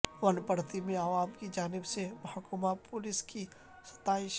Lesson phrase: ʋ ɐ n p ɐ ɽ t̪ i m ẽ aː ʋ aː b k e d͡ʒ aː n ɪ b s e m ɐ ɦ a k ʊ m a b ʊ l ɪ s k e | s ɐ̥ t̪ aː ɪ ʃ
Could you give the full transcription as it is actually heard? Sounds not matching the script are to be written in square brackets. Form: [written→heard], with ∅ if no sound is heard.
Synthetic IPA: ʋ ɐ n p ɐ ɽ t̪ i m ẽ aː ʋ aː [b→m] k [e→i] d͡ʒ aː n ɪ b s e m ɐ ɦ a k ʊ m a [b→p] ʊ l ɪ s k [e→i] | s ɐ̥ t̪ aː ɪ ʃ